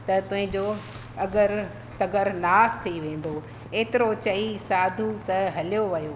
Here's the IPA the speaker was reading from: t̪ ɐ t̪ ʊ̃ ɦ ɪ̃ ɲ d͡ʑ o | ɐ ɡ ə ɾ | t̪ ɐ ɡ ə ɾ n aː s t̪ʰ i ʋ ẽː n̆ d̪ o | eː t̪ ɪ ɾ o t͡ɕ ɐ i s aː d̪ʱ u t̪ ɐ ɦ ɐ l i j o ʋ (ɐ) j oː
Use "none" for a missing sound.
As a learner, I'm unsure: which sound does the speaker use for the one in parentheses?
ɐ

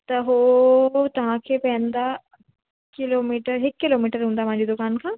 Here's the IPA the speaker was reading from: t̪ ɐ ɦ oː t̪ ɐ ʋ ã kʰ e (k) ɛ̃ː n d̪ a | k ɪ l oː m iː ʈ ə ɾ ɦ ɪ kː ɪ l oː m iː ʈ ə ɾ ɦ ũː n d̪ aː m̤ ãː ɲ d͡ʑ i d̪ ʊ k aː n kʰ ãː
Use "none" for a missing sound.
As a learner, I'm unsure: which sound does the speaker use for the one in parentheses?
p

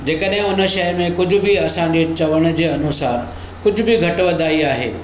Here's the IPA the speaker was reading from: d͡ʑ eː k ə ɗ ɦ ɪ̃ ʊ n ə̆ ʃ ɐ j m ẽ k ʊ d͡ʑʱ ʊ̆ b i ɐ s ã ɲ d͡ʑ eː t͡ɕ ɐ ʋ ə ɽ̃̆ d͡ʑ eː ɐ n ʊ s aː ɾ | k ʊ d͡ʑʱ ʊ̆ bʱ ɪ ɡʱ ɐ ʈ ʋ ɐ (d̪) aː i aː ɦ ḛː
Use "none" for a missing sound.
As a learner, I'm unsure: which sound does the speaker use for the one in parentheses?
d̪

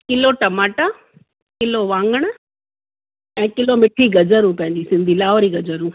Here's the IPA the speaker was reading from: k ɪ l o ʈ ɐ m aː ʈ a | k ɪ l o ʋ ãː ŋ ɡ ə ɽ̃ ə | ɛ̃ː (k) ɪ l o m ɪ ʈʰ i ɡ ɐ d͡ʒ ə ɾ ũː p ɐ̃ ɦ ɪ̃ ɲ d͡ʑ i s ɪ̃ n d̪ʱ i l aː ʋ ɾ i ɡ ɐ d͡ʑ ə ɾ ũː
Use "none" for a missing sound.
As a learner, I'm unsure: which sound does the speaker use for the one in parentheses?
k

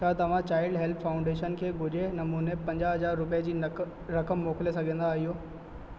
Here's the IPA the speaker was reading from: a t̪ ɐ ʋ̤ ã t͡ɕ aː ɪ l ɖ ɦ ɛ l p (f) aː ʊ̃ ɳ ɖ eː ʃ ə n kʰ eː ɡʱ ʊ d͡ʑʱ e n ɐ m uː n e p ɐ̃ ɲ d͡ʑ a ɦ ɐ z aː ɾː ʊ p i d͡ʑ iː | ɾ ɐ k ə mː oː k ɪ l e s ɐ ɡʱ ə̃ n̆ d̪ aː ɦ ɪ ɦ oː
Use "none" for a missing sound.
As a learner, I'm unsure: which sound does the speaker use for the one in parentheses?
f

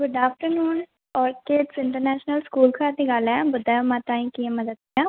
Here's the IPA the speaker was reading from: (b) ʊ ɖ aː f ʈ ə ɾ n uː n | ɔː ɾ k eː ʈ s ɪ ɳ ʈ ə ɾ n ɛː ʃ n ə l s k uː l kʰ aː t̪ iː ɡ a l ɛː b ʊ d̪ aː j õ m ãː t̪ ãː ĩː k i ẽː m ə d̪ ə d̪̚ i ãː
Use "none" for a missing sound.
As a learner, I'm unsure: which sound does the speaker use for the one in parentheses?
ɡ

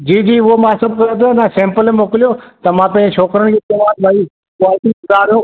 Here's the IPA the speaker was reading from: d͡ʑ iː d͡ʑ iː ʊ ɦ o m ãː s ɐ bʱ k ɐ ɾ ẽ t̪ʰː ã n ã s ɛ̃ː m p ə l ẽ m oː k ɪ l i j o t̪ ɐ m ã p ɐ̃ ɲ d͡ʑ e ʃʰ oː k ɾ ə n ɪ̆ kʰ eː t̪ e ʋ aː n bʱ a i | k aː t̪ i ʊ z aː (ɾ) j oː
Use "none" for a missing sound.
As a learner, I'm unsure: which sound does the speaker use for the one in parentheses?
ɾ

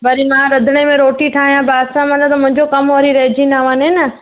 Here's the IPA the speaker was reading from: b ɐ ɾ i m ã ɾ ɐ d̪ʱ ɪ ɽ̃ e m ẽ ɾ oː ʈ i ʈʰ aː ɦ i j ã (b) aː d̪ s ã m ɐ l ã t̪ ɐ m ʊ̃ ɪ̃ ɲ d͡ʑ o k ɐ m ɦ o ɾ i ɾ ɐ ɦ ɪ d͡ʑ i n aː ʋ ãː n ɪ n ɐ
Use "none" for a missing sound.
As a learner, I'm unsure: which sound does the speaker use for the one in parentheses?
b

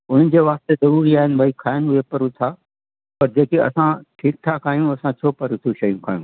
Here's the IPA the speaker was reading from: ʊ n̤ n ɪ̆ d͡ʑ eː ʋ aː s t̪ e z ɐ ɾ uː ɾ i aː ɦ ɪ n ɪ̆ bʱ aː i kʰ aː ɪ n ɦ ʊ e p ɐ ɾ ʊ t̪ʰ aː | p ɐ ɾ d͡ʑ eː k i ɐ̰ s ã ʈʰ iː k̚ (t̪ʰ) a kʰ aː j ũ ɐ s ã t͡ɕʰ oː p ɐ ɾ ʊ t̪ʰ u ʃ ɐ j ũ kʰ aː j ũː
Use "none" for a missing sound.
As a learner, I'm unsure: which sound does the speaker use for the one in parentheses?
t̪ʰ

